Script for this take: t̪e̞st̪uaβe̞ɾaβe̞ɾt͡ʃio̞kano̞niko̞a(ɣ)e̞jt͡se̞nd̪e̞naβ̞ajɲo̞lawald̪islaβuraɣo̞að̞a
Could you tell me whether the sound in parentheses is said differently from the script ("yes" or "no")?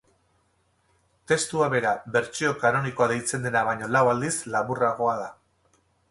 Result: yes